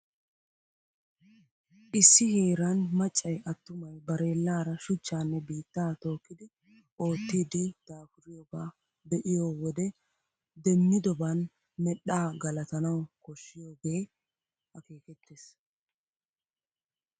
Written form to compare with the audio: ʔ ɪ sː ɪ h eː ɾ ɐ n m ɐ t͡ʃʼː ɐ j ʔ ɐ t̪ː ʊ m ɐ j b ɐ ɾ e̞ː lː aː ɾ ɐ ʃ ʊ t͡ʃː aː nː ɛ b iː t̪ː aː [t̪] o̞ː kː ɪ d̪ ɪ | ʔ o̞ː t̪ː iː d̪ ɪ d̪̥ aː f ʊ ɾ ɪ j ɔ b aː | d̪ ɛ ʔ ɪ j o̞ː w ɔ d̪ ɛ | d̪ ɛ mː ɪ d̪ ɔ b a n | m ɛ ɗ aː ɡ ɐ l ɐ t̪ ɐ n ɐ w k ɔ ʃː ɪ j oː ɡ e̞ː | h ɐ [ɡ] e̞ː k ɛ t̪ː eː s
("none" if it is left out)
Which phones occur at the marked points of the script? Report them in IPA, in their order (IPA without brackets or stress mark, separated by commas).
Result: t̪, k